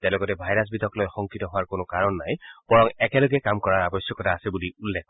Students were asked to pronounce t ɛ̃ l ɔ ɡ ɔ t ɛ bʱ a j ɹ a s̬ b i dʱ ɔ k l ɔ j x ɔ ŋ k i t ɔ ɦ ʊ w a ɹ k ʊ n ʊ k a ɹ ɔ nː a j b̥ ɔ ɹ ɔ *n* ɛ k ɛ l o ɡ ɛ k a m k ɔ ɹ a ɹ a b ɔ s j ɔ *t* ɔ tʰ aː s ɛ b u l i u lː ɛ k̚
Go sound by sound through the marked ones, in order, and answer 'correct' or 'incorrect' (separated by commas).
incorrect, incorrect